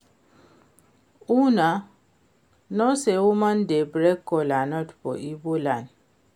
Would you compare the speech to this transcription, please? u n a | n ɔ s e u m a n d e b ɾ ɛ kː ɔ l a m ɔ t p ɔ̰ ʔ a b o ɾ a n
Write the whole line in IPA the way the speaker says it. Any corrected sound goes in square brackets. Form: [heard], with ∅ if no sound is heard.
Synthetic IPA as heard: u n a | n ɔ s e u m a n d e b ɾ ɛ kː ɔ l a [n] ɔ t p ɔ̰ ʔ [i] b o [l] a n